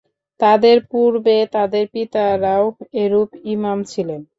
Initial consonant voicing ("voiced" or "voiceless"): voiceless